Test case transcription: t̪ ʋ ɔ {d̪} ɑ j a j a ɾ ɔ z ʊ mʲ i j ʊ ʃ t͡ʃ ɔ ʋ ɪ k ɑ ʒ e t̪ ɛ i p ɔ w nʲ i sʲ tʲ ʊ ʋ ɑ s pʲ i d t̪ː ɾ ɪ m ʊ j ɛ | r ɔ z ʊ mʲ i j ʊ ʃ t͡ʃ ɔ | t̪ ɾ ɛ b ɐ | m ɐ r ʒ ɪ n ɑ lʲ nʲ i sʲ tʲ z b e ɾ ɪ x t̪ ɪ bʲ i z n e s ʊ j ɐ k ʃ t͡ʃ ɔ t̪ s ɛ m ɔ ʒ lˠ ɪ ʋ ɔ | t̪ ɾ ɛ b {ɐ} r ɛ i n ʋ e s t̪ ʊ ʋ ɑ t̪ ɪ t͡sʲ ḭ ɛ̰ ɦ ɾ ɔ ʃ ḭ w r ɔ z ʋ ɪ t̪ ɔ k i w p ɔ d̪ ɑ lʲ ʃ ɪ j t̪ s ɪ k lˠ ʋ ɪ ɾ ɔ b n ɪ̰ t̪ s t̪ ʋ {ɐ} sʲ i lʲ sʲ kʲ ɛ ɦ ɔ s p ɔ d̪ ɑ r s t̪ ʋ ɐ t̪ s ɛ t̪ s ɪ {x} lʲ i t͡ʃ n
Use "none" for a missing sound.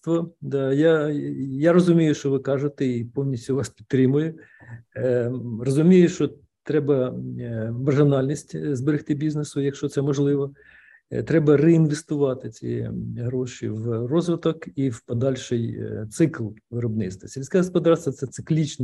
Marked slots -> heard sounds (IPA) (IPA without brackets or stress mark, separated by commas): d̪, ɐ, ɐ, k